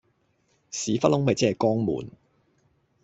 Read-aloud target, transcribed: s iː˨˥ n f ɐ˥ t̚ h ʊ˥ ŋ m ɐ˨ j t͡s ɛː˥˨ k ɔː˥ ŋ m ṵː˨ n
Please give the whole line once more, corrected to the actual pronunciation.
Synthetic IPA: s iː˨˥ f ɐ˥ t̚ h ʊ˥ ŋ m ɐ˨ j t͡s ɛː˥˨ k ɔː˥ ŋ m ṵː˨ n